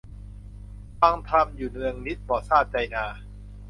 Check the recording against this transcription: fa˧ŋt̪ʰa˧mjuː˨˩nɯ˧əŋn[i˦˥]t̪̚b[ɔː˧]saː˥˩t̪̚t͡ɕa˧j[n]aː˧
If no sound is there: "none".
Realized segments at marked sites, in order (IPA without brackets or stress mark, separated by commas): i˦˥, ɔː˨˩, n